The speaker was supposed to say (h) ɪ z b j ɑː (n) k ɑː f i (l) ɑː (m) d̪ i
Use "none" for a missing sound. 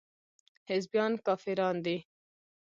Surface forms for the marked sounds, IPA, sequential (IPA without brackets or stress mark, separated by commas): h, n, ɾ, n